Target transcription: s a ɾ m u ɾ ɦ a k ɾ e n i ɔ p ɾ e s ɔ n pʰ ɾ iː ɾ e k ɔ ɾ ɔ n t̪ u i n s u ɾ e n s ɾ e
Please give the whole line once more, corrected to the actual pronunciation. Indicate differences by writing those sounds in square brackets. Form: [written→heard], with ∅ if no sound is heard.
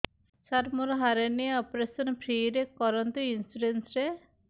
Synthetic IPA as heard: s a ɾ m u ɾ ɦ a [k→∅] ɾ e n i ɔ p ɾ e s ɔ n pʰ ɾ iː ɾ e k ɔ ɾ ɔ n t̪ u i n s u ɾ e n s ɾ e

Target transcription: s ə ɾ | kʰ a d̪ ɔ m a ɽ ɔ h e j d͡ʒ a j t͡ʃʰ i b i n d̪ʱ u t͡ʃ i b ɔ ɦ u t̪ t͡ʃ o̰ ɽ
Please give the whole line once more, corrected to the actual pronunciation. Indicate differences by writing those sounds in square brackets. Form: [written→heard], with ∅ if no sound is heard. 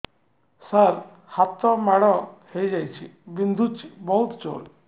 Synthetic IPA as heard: s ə ɾ | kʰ a [d̪→t̪] ɔ m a ɽ ɔ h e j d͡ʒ a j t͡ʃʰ i b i n d̪ʱ u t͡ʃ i b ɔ ɦ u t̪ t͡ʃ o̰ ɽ

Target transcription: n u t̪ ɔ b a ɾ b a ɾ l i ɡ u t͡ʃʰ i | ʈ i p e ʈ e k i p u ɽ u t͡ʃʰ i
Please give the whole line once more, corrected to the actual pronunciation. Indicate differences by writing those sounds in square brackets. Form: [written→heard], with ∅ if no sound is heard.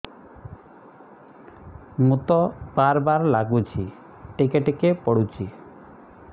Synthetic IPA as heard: [n→m] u t̪ ɔ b a ɾ b a ɾ l [i→a] ɡ u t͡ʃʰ i | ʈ i [p→k] e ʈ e k [i→e] p [u→ɔ] ɽ u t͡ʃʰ i

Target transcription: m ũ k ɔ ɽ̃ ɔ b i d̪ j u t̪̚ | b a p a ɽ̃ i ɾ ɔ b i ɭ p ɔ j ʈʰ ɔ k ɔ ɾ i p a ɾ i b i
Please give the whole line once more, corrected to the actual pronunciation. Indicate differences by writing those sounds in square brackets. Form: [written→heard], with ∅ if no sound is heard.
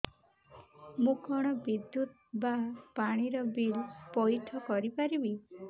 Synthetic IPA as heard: m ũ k ɔ ɽ̃ ɔ b i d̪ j u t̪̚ | b a p a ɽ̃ i ɾ ɔ b i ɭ p ɔ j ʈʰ ɔ k ɔ ɾ i p a ɾ i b i

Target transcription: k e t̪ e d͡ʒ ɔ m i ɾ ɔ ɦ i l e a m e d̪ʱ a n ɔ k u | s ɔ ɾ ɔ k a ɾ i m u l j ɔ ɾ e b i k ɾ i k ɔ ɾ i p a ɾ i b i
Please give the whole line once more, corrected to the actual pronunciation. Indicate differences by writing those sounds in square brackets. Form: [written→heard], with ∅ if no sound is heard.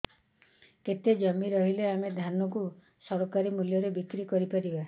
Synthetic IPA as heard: k e t̪ e d͡ʒ ɔ m i ɾ ɔ ɦ i l e a m e d̪ʱ a n ɔ k u | s ɔ ɾ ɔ k a ɾ i m u l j ɔ ɾ e b i k ɾ i k ɔ ɾ i p a ɾ i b [i→a]

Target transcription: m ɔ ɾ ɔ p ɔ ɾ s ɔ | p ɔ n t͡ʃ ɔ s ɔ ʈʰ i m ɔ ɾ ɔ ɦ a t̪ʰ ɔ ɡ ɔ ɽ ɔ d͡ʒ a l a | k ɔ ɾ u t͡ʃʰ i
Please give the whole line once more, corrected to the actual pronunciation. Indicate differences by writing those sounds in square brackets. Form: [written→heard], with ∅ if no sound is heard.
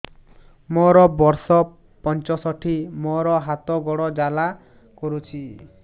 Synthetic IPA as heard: m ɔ ɾ ɔ [p→b] ɔ ɾ s ɔ | p ɔ n t͡ʃ ɔ s ɔ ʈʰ i m ɔ ɾ ɔ ɦ a [t̪ʰ→t̪] ɔ ɡ ɔ ɽ ɔ d͡ʒ a l a | k ɔ ɾ u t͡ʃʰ i

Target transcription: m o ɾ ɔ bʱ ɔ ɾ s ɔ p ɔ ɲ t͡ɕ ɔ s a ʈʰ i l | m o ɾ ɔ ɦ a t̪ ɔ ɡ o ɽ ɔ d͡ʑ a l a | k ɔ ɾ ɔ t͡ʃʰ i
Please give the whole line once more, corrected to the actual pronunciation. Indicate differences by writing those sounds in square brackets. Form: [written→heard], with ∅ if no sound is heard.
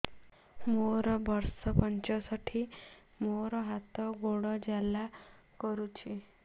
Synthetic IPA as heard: m o ɾ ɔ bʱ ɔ ɾ s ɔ p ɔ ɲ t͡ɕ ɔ s a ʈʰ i [l→∅] | m o ɾ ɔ ɦ a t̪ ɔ ɡ o ɽ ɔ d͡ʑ a l a | k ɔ ɾ [ɔ→u] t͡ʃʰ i

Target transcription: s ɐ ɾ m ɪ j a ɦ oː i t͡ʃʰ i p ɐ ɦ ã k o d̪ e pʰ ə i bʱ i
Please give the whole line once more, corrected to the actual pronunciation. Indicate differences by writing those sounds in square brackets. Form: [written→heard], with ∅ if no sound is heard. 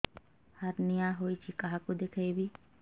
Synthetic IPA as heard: [s→h] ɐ ɾ [m→n] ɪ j a ɦ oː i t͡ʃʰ i [p→k] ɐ ɦ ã k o d̪ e [pʰ→kʰ] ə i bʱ i

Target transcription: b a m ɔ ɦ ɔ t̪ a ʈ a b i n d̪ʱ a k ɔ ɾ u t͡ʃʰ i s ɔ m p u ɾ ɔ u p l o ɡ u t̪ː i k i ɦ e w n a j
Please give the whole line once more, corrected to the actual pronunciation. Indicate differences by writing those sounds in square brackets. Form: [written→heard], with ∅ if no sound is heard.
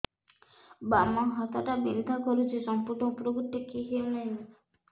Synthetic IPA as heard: b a m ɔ ɦ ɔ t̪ a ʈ a b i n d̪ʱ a k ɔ ɾ u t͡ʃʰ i s ɔ m p u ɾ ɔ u p [l→ɾ] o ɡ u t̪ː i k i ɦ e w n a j

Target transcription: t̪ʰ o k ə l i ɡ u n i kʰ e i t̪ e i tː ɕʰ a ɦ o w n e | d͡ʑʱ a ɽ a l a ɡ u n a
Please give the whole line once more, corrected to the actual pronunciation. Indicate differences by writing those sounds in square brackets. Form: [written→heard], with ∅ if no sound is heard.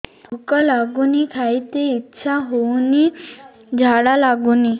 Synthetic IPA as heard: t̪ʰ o k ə l [i→a] ɡ u n i kʰ [e→a] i t̪ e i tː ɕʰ a ɦ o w n [e→i] | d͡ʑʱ a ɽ a l a ɡ u n [a→i]

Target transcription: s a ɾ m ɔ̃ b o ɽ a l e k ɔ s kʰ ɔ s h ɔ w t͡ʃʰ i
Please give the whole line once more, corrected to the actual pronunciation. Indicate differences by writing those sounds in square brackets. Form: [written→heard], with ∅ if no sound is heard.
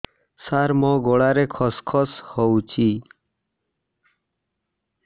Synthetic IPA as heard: s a ɾ m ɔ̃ [b→ɡ] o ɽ a [l→ɾ] e [k→kʰ] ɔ s kʰ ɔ s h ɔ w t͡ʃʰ i

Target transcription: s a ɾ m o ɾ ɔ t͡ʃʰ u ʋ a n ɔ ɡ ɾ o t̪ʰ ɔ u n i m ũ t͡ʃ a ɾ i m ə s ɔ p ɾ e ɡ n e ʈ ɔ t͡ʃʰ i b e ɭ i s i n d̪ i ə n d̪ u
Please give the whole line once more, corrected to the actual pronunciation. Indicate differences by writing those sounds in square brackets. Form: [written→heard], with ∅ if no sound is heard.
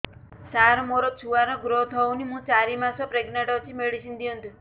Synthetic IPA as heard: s a ɾ m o ɾ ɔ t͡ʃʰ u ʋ a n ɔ ɡ ɾ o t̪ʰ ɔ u n i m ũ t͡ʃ a ɾ i m [ə→a] s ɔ p ɾ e ɡ n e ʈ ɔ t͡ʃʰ i [b→m] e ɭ i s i n d̪ i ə n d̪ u

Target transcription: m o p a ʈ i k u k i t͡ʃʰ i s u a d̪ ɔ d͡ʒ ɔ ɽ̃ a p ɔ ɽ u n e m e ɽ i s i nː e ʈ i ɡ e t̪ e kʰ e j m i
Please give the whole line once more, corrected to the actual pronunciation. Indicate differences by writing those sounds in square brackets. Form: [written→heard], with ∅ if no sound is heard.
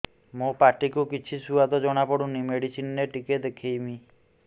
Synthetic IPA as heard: m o p a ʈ i k u k i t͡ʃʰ i s u a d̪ ɔ d͡ʒ ɔ ɽ̃ a p ɔ ɽ u n [e→i] m e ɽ i s i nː e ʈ i [ɡ→k] e [t̪→d̪] e kʰ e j m i

